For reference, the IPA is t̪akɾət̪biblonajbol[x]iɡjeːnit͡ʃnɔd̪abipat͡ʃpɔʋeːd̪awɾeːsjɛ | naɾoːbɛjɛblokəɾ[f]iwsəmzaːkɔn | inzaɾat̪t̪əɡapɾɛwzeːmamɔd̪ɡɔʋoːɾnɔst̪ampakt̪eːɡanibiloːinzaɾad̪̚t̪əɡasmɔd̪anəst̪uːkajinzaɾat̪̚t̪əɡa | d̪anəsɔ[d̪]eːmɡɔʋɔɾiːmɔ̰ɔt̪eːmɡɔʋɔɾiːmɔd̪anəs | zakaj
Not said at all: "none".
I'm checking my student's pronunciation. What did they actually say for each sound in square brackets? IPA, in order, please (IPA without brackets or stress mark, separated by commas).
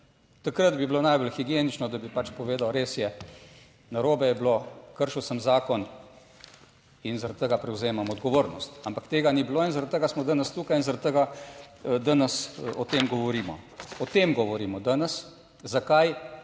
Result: x, ʃ, t̪